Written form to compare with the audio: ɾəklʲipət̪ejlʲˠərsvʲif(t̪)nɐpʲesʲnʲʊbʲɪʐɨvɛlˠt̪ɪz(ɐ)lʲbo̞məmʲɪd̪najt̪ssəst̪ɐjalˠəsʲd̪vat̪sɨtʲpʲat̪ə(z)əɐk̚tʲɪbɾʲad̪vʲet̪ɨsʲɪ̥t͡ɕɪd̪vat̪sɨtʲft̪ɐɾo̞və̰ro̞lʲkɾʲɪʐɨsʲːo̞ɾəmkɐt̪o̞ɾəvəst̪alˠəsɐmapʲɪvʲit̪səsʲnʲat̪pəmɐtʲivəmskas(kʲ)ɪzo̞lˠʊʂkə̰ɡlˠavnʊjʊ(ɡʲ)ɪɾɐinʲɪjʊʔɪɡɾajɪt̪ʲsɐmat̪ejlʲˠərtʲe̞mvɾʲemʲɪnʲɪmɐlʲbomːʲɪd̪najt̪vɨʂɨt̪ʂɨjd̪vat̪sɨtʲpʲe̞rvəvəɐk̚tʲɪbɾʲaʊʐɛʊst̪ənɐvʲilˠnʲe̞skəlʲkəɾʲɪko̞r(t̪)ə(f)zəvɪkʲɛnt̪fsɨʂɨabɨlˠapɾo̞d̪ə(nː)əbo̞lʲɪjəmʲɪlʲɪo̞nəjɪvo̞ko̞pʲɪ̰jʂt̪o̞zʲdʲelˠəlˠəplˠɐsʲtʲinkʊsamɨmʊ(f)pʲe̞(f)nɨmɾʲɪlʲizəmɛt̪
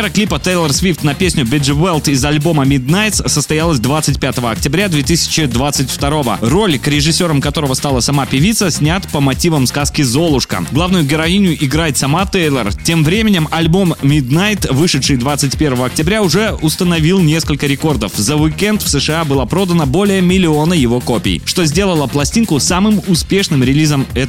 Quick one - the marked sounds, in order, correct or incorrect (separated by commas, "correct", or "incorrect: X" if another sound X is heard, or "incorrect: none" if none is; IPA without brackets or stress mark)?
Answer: correct, correct, incorrect: v, correct, correct, incorrect: d̪, correct, incorrect: n, incorrect: s, incorrect: ʂ